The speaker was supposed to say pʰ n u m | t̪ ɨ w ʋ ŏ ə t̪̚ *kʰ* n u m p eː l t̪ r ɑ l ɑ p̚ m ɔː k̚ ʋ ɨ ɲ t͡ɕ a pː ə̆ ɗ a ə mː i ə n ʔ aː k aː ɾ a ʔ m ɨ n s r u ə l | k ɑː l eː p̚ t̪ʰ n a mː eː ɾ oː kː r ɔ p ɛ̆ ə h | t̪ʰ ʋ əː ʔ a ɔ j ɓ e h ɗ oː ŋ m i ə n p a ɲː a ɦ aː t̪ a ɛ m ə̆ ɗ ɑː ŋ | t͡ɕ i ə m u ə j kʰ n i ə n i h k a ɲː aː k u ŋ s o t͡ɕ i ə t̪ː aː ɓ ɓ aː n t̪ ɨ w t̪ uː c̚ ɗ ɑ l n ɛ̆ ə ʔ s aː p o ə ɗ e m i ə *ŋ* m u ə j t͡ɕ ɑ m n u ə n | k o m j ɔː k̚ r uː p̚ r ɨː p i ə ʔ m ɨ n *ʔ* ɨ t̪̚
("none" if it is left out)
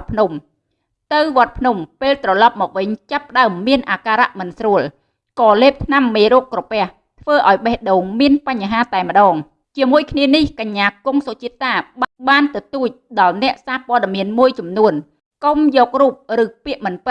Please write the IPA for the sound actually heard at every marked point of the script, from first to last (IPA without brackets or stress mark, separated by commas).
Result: pʰ, n, p